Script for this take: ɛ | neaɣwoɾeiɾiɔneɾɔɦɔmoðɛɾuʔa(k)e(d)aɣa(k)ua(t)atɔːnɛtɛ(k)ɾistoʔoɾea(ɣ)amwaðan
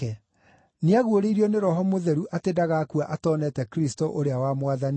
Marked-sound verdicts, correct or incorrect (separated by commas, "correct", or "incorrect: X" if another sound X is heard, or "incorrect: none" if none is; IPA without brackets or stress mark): incorrect: t, correct, correct, incorrect: ʔ, correct, incorrect: w